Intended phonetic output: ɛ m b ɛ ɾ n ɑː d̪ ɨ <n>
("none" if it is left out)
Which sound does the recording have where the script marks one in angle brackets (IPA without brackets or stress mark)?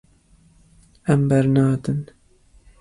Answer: n